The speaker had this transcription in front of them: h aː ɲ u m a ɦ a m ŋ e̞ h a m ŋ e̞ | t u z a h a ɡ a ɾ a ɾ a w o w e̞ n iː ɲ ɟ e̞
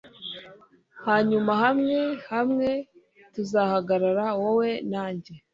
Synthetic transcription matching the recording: h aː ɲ u m a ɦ a m ŋ e̞ h a m ŋ e̞ | t u z a h a ɡ a ɾ a ɾ a w o w e̞ n aː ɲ ɟ e̞